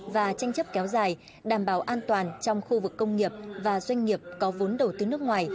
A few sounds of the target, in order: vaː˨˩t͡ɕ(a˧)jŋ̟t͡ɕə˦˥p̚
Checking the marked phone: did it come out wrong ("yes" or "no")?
no